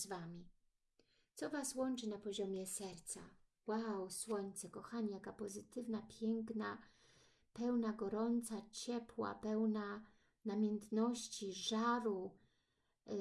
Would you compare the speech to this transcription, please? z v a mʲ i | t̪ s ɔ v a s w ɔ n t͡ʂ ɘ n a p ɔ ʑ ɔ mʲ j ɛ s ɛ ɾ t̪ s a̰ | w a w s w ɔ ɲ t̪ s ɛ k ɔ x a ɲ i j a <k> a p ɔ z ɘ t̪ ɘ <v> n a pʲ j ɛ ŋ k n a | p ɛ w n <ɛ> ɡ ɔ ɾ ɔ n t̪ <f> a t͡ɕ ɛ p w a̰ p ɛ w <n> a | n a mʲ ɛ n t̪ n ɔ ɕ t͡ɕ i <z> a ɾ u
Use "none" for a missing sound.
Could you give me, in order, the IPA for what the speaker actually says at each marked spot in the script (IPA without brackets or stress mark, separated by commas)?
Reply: k, v, a, s, n, ʐ